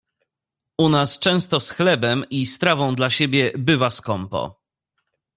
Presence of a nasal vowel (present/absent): present